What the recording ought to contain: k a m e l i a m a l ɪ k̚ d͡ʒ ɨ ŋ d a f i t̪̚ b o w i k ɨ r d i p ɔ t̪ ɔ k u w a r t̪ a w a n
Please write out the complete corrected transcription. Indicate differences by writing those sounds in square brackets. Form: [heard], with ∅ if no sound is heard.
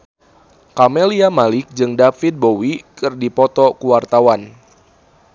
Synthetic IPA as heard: k a m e l i a m a l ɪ k̚ d͡ʒ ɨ ŋ d a f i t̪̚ b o w i k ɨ r d i p ɔ t̪ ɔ k u w a r t̪ a w a n

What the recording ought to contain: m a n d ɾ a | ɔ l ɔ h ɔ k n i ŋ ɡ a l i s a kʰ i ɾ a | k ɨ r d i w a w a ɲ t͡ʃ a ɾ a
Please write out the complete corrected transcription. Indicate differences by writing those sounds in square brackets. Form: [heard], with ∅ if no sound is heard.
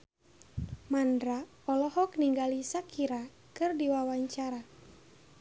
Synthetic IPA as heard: m a n d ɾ a | ɔ l ɔ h ɔ k n i ŋ ɡ a l i s a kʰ i ɾ a | k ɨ r d i w a w a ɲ t͡ʃ a ɾ a

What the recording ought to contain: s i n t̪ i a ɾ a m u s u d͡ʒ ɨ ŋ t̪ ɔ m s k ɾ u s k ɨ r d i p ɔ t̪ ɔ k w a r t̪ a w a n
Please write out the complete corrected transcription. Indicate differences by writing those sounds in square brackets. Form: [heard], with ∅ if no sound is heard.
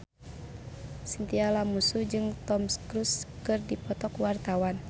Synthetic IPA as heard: s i n t̪ i a [l] a m u s u d͡ʒ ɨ ŋ t̪ ɔ m s k ɾ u s k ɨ r d i p ɔ t̪ ɔ k w a r t̪ a w a n

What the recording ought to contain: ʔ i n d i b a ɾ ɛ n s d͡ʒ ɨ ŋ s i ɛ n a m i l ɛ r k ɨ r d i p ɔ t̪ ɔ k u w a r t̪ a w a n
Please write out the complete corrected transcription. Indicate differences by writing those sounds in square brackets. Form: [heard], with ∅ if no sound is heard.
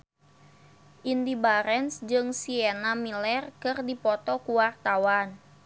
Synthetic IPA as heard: ʔ i n d i b a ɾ ɛ n s d͡ʒ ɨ ŋ s i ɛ n a m i l ɛ r k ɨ r d i p ɔ t̪ ɔ k u w a r t̪ a w a n

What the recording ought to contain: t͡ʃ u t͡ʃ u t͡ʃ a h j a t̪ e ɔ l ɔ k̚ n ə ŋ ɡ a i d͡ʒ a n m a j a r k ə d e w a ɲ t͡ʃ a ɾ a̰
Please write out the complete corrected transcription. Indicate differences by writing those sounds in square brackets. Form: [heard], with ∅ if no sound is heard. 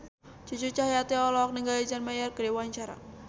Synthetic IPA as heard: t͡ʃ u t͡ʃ u t͡ʃ a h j a t̪ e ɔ l ɔ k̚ n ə ŋ ɡ a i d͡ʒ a n m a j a r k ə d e w a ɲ t͡ʃ a ɾ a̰

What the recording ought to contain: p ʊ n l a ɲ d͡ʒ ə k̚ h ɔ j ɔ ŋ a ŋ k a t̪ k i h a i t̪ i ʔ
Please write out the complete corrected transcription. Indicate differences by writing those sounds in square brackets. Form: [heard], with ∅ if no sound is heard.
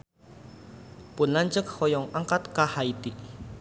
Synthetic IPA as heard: p ʊ n l a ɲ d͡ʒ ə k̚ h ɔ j ɔ ŋ a ŋ k a t̪ k [a] h a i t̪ i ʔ

